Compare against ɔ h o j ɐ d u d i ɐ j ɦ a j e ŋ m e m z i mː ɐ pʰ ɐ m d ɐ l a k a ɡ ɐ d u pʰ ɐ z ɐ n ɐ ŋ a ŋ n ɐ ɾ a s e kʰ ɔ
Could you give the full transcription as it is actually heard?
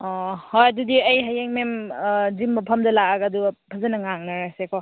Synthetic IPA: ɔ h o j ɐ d u d i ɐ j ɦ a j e ŋ m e m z i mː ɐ pʰ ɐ m d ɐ l a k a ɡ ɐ d u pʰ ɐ z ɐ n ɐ ŋ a ŋ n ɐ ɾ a s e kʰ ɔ